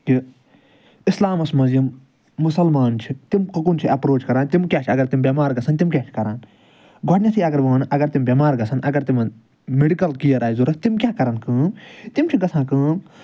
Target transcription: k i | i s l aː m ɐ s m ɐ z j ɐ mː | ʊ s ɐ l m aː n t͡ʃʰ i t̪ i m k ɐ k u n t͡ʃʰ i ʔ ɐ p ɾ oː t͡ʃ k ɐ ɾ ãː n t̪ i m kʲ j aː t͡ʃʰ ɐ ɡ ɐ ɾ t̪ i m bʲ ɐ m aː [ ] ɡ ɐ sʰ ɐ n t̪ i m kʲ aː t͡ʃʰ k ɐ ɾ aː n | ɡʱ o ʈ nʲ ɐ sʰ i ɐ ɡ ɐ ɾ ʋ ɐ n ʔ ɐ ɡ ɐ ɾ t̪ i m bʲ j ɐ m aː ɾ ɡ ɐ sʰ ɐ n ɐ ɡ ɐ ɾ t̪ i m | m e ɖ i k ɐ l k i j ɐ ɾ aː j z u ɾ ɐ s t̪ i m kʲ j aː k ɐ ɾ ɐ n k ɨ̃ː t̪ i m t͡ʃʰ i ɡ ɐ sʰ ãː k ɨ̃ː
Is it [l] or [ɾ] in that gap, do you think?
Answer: ɾ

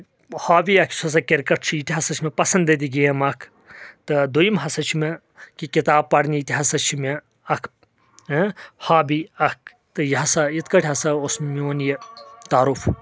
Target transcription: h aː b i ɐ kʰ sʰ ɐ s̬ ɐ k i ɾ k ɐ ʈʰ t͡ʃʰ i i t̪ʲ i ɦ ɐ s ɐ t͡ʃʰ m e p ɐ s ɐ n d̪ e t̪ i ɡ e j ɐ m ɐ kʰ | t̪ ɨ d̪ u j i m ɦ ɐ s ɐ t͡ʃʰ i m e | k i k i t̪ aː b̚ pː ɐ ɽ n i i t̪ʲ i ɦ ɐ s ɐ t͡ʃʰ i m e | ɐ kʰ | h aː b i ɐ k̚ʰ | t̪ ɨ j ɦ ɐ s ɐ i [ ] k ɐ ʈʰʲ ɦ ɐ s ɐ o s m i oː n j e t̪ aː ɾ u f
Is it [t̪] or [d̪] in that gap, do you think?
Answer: t̪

